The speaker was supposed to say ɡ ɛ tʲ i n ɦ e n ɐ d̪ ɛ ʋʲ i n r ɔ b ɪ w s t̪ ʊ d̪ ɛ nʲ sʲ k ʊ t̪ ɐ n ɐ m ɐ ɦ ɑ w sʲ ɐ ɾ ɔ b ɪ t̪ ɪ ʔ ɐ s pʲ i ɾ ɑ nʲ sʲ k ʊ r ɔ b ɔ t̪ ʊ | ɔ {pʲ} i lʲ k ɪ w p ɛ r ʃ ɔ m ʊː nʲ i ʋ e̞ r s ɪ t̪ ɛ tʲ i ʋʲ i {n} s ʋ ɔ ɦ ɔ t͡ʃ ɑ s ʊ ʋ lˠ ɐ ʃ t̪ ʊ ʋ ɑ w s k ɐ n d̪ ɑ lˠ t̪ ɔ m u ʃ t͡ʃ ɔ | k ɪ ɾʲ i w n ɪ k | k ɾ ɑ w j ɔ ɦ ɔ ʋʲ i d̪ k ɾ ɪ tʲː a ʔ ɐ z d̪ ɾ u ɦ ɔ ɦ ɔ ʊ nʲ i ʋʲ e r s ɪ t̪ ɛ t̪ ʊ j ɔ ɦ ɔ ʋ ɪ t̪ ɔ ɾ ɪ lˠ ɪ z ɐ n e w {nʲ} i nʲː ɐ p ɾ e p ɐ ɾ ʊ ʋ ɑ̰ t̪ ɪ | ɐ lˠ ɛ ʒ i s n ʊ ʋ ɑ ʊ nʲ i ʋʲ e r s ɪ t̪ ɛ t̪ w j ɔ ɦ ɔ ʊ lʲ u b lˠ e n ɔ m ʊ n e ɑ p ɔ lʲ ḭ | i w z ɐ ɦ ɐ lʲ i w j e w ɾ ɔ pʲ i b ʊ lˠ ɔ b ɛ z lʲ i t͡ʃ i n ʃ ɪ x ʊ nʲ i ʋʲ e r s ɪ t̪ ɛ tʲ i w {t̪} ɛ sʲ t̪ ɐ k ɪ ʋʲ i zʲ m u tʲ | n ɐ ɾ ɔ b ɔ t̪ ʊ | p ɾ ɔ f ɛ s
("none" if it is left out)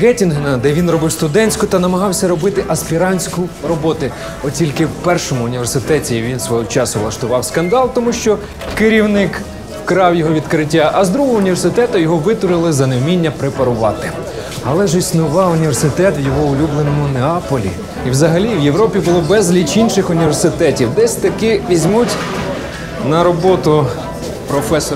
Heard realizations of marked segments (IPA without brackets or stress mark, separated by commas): tʲ, n, mʲ, d̪